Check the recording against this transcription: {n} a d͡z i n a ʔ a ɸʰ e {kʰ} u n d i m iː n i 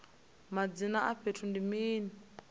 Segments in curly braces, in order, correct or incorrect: incorrect: m, incorrect: tʰ

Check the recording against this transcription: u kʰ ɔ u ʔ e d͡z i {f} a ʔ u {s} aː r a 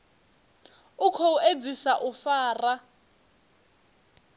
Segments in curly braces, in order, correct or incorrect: incorrect: s, incorrect: f

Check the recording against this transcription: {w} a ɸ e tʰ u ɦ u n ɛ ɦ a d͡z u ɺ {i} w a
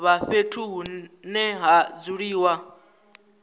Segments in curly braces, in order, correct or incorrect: incorrect: β, incorrect: iː

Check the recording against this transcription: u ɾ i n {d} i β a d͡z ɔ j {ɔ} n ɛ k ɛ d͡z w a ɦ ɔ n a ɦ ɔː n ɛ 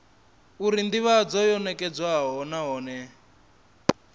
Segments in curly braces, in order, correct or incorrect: correct, correct

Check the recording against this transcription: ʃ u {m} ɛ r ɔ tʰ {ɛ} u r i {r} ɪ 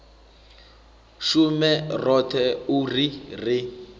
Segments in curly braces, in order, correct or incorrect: correct, correct, correct

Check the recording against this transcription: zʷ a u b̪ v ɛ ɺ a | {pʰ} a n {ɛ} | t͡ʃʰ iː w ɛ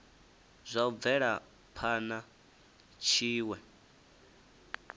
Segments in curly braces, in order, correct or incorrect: correct, incorrect: a

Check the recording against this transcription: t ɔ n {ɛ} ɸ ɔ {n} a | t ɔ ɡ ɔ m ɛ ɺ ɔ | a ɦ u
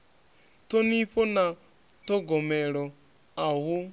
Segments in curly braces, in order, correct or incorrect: incorrect: i, correct

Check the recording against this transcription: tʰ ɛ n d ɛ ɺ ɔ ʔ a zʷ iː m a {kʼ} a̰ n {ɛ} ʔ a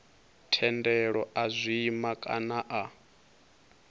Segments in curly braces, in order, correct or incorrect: correct, incorrect: a

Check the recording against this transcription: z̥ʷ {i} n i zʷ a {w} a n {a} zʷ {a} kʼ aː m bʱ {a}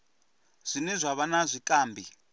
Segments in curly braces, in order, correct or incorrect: correct, incorrect: β, correct, incorrect: i, incorrect: i

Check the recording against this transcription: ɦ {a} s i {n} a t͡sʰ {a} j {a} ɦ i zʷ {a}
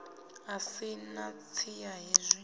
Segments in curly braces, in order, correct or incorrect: correct, correct, incorrect: i, correct, incorrect: i

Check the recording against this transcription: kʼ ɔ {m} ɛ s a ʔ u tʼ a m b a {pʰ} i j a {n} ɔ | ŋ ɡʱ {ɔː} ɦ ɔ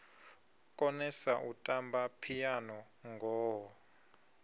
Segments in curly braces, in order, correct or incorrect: incorrect: n, correct, correct, correct

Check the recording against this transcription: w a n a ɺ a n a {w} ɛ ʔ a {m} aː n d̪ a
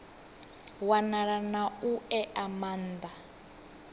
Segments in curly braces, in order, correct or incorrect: incorrect: u, correct

